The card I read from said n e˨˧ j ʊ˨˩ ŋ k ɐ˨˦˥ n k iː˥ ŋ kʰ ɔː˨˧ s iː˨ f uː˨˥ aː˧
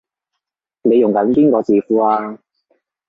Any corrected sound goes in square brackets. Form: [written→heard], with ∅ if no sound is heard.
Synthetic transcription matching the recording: n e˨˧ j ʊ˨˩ ŋ k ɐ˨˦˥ n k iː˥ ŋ [kʰ→k] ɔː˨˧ [s→t͡s] iː˨ f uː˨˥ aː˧